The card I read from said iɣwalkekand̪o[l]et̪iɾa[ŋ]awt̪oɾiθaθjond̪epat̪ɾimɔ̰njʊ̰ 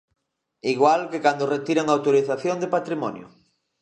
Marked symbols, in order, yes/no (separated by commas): no, yes